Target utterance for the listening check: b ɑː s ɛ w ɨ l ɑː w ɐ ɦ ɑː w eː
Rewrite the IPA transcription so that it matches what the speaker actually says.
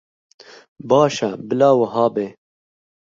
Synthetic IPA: b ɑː ʃ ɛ b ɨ l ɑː w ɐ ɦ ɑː b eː